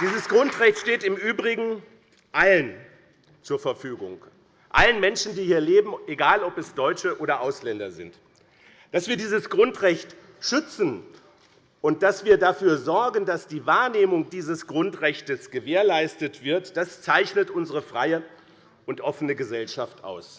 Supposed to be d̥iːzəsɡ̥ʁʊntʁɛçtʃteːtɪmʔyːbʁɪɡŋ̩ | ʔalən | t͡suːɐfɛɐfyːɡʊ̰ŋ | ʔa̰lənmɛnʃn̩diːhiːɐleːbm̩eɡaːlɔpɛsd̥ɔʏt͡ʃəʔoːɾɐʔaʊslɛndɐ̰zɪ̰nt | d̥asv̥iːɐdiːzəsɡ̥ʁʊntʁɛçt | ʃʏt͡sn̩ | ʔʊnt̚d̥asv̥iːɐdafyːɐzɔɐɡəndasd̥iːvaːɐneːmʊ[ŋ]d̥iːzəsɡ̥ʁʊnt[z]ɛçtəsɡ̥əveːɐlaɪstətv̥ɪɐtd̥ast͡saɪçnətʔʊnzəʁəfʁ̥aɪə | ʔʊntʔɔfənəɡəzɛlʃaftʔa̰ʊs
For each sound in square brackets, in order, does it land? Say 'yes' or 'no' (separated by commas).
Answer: yes, no